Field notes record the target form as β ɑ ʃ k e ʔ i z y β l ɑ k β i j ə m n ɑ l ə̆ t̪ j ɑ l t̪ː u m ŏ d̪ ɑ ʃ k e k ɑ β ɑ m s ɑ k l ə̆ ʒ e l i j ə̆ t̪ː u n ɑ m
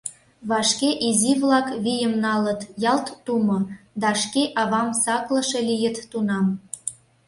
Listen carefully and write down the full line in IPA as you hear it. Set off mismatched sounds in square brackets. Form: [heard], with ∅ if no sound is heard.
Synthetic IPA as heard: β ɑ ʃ k e ʔ i z [i] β l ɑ k β i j ə m n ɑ l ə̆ t̪ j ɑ l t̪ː u m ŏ d̪ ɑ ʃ k e [ʔ] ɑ β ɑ m s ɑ k l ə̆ [ʃ] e l i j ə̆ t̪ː u n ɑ m

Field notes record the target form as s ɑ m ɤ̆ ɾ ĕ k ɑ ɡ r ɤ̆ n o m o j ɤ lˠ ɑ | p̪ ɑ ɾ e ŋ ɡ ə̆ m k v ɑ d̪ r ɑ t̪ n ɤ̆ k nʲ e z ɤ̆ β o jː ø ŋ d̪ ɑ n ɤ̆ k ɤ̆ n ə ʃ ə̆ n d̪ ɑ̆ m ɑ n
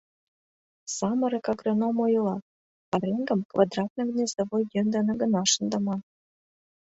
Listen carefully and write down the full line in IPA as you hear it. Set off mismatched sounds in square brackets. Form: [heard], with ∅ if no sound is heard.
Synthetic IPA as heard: s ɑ m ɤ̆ ɾ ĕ k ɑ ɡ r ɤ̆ n o m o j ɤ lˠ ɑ | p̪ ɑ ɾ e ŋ ɡ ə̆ m k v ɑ d̪ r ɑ t̪ n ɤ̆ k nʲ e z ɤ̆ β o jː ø [n] d̪ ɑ n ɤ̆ [ɡ] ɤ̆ n [ɑ] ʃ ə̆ n d̪ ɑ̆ m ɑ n

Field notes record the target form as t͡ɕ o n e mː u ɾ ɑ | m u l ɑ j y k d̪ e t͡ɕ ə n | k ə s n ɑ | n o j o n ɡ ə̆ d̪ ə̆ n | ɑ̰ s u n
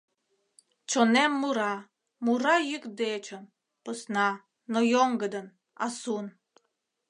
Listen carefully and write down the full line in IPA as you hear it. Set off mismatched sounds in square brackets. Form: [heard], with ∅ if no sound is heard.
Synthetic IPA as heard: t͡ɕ o n e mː u ɾ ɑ | m u [ɾ] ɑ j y k d̪ e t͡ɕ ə n | [p] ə s n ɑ | n o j o [ŋ] ɡ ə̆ d̪ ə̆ n | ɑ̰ s u n

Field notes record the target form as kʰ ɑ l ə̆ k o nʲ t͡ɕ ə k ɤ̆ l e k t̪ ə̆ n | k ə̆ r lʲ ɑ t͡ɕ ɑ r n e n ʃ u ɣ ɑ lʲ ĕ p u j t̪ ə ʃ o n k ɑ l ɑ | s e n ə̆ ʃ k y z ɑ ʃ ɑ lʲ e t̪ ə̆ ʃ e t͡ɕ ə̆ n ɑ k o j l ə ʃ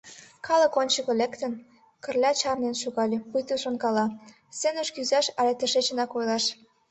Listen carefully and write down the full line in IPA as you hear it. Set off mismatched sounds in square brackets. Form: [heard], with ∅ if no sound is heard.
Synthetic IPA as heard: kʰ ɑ l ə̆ k o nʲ t͡ɕ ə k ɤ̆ l e k t̪ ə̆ n | k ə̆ r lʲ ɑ t͡ɕ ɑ r n e n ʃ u ɣ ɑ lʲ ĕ p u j t̪ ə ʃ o n k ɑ l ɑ | s e n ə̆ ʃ k y z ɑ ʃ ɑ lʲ e t̪ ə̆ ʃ e t͡ɕ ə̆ n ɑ k o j l [ɑ] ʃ

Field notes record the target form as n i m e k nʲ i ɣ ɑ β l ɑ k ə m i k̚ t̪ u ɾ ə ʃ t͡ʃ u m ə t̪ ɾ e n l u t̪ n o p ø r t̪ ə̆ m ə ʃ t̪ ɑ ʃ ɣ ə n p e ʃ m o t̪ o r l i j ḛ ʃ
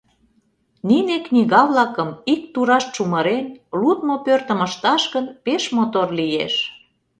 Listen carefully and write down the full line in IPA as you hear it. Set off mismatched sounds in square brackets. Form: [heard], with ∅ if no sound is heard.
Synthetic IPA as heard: n i [n] e k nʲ i ɣ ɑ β l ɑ k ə m i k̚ t̪ u ɾ [ɑ] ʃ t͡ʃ u m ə [∅] ɾ e n l u t̪ [m] o p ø r t̪ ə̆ m ə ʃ t̪ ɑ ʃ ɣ ə n p e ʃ m o t̪ o r l i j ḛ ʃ

